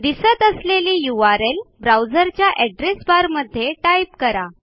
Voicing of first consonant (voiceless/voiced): voiced